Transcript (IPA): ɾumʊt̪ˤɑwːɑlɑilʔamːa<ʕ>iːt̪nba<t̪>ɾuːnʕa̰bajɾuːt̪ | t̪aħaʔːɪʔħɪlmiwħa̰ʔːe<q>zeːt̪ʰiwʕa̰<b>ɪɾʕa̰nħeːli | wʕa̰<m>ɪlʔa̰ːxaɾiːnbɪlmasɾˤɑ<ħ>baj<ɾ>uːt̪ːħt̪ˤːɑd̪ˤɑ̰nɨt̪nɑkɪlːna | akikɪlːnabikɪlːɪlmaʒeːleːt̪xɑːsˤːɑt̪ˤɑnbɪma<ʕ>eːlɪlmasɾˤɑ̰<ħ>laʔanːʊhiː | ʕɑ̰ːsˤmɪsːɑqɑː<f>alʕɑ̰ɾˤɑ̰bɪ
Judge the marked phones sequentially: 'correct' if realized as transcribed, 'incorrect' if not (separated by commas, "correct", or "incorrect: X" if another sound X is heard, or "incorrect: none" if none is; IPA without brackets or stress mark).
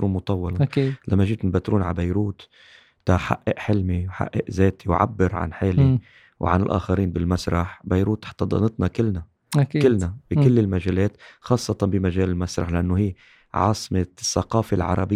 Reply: incorrect: ʒ, correct, incorrect: ʔ, incorrect: bː, incorrect: n, correct, correct, incorrect: ʒ, correct, correct